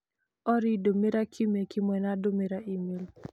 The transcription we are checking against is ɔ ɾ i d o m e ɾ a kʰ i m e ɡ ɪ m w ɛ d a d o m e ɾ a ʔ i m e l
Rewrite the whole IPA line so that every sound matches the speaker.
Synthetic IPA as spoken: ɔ ɾ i d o m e ɾ a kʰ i m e k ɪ m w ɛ n a d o m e ɾ a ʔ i m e l